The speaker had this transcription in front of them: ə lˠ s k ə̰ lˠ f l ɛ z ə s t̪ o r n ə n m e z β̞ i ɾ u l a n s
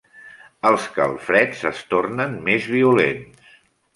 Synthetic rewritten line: ə lˠ s k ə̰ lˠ f ɾ ɛ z ə s t̪ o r n ə n m e z β̞ i u l e n s